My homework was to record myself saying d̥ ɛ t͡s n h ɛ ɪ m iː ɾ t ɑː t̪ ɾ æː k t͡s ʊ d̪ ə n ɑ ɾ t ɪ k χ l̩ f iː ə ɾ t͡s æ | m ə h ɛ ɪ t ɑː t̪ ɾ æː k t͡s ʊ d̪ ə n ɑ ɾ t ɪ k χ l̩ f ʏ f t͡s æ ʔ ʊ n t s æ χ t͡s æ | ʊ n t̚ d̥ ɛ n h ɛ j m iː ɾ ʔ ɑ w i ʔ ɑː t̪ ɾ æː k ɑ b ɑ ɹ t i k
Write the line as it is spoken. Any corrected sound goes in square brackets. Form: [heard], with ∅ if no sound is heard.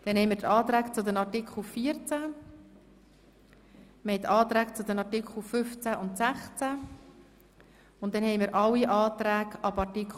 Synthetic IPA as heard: d̥ ɛ [∅] n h ɛ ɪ m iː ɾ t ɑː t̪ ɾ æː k t͡s ʊ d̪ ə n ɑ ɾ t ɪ k χ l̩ f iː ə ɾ t͡s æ | m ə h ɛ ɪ t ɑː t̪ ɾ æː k t͡s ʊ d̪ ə n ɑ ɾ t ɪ k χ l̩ f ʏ f t͡s æ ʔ ʊ n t s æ χ t͡s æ | ʊ n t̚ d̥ ɛ n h ɛ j m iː ɾ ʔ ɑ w i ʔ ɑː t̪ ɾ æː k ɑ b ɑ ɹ t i k